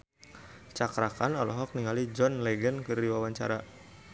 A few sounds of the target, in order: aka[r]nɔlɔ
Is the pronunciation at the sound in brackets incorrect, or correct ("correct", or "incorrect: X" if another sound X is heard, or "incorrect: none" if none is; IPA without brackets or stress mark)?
incorrect: none